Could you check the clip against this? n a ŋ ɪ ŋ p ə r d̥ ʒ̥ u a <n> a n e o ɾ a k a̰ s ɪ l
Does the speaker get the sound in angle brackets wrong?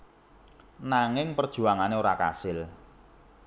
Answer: yes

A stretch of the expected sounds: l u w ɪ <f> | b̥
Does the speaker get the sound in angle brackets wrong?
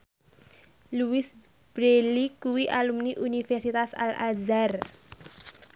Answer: yes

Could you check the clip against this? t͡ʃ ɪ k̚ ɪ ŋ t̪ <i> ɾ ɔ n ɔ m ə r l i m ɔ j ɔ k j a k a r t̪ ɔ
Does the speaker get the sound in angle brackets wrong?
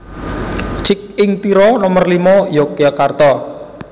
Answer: no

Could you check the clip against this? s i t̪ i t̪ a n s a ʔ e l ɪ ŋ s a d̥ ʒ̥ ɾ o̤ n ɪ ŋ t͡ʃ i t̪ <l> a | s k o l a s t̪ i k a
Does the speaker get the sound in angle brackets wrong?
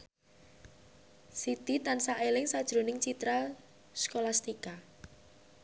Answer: yes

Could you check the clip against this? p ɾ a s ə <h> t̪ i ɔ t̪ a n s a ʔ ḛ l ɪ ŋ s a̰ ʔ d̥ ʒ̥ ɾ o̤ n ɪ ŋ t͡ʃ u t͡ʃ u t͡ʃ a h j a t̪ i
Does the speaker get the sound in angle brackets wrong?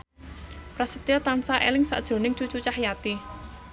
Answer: yes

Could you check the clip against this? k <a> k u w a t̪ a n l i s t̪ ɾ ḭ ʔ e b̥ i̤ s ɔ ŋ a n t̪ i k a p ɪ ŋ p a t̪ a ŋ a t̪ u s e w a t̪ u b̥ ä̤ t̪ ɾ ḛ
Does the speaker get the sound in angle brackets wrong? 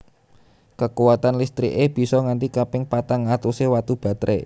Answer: yes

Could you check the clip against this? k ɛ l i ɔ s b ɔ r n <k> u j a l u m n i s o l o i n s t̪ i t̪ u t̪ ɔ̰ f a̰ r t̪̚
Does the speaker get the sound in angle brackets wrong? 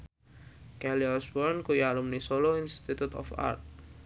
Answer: no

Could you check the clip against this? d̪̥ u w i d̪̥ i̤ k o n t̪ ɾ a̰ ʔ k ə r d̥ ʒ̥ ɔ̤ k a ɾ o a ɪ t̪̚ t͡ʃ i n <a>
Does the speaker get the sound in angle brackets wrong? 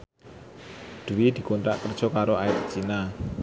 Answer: no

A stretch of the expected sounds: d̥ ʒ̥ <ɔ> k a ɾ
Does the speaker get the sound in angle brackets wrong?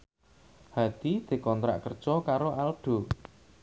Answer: no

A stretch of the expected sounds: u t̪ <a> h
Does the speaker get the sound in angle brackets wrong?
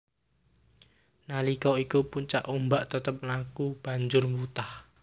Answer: no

